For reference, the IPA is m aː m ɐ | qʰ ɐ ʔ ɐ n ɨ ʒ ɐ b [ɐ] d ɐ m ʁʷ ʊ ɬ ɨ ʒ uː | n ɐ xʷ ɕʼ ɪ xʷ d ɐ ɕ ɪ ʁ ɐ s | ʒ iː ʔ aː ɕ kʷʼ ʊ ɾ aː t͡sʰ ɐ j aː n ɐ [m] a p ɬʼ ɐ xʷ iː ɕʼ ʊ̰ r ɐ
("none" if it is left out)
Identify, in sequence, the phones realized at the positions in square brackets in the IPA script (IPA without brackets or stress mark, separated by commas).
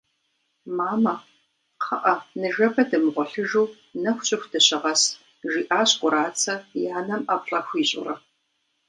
ɐ, m